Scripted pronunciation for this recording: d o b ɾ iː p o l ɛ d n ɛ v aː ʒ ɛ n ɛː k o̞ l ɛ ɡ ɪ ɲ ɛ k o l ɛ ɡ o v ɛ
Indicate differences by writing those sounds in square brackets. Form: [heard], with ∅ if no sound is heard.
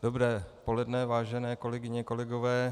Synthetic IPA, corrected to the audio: d o b ɾ [ɛː] p o l ɛ d n ɛ v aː ʒ ɛ n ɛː k o̞ l ɛ ɡ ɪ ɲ ɛ k o l ɛ ɡ o v [ɛː]